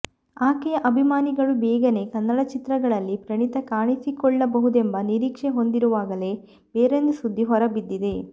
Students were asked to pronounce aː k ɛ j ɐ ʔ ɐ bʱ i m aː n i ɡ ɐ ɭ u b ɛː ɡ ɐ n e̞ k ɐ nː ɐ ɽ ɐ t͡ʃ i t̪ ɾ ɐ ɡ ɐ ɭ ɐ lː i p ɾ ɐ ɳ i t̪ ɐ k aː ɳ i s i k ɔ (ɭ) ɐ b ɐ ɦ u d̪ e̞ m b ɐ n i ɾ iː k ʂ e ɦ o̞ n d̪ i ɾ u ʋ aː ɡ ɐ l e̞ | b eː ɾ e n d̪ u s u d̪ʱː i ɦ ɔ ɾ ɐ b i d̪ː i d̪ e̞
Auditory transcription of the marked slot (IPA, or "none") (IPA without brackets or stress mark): ɭː